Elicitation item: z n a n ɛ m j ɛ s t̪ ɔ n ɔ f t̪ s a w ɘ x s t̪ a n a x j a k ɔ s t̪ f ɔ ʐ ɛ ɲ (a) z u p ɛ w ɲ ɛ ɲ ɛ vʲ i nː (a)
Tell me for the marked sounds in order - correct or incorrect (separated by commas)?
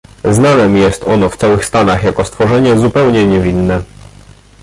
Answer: incorrect, incorrect